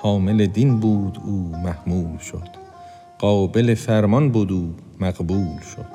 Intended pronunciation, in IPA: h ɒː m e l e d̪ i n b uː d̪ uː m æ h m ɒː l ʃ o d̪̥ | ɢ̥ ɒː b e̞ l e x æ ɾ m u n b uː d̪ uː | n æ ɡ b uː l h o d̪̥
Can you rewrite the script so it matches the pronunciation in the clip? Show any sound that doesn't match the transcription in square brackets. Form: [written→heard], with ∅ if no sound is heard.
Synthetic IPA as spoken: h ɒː m e l e d̪ i n b uː d̪ uː m æ h m [ɒː→uː] l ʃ o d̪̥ | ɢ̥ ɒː b e̞ l e [x→f] æ ɾ m [u→ɒ] n b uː d̪ uː | [n→m] æ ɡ b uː l [h→ʃ] o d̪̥